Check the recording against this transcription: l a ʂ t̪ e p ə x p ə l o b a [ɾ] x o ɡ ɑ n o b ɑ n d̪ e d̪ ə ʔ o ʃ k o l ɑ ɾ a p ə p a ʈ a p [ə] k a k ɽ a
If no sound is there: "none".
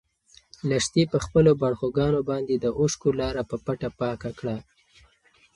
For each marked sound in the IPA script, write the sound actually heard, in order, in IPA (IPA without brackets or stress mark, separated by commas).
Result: ɽ, ɑ